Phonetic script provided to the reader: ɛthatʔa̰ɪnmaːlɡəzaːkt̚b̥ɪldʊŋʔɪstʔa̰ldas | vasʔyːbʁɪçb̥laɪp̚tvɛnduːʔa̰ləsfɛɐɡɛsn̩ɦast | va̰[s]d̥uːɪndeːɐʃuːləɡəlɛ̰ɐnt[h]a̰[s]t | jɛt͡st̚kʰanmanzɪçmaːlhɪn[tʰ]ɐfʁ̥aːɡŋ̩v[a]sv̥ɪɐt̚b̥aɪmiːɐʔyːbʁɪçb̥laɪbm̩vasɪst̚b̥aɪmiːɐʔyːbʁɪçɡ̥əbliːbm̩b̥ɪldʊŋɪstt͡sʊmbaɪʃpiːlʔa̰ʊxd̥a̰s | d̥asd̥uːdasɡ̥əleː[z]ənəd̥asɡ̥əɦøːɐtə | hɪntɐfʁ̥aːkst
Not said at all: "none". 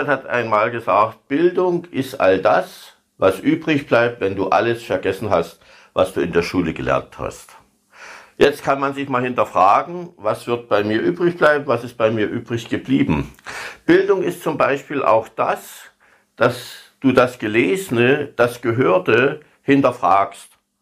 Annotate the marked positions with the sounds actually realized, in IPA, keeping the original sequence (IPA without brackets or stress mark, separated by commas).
s, h, s, t, a, z